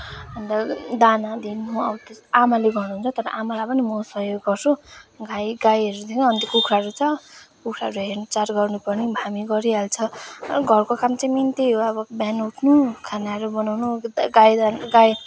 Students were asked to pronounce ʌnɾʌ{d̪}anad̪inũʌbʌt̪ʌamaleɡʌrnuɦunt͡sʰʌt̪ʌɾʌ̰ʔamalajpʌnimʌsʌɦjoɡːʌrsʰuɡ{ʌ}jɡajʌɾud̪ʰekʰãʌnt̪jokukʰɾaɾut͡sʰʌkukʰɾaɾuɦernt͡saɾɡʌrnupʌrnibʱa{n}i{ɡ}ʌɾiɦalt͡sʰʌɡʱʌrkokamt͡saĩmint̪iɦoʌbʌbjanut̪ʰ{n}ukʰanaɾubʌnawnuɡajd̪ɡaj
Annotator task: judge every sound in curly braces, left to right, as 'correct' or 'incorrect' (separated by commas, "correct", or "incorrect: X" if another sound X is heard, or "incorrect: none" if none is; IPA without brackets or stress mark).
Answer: correct, incorrect: a, incorrect: m, correct, correct